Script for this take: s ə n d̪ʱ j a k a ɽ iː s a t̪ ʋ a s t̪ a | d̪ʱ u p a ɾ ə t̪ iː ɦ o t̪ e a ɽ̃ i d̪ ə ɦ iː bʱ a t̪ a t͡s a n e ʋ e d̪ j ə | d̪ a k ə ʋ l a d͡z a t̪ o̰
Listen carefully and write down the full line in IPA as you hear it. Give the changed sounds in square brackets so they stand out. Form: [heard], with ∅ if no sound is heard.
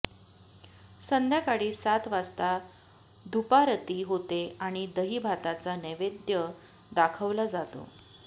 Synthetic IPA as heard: s ə n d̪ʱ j a k a ɽ iː s a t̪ ʋ a s t̪ a | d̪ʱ u p a ɾ ə t̪ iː ɦ o t̪ e a ɽ̃ i d̪ ə ɦ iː bʱ a t̪ a t͡s a n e ʋ e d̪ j ə | d̪ a [kʰ] ə ʋ l a d͡z a t̪ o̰